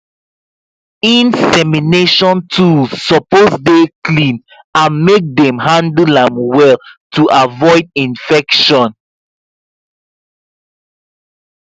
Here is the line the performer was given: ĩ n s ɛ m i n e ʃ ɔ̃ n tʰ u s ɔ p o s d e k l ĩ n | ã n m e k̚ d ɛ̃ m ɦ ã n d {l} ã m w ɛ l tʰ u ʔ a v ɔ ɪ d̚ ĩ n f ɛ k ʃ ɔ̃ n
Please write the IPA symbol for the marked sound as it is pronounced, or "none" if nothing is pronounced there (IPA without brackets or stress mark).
l